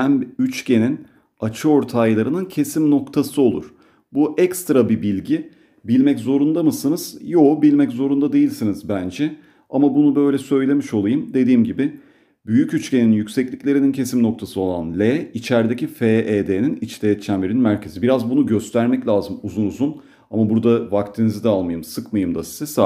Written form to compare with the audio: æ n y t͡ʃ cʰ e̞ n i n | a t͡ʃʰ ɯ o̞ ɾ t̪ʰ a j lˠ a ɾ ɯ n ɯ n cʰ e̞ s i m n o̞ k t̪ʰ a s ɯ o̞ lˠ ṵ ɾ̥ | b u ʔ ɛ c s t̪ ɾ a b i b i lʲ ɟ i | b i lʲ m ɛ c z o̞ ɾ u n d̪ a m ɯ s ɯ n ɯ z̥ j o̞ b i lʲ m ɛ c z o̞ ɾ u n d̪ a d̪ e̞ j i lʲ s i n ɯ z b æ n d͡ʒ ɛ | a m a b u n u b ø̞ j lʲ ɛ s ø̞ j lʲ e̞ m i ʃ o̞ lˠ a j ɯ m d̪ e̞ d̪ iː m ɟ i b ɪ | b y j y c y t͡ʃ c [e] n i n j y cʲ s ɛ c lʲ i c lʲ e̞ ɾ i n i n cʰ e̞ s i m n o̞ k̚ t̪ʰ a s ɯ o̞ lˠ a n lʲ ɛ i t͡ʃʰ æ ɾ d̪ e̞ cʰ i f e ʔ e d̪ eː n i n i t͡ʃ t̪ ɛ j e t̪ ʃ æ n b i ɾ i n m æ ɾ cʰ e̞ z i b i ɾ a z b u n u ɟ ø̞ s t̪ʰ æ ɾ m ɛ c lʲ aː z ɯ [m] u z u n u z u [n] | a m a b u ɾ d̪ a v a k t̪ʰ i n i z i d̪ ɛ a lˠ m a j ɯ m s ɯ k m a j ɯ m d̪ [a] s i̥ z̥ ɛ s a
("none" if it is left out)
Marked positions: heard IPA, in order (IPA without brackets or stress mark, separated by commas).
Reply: e, m, n, a